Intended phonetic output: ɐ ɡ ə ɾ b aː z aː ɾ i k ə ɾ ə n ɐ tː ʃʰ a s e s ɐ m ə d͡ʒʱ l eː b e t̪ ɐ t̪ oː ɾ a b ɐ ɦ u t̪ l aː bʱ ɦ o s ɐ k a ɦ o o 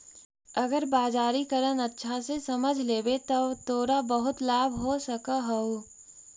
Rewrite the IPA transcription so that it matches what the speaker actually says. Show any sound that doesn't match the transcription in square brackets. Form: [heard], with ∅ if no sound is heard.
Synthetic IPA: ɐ ɡ ə ɾ b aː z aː ɾ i k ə ɾ ə n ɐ tː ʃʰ a s e s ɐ m ə d͡ʒʱ l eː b e t̪ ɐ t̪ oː ɾ a b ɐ ɦ [ʊ] t̪ l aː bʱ ɦ o s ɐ k a ɦ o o